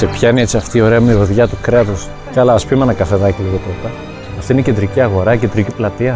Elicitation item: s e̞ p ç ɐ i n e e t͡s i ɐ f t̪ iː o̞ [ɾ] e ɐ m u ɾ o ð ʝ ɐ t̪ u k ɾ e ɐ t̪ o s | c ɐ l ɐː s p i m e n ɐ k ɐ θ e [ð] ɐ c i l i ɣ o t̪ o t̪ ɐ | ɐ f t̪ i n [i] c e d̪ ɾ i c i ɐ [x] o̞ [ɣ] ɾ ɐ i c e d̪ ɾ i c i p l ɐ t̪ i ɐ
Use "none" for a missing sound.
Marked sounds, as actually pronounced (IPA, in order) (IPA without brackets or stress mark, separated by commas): ɾ, ð, e, ɣ, none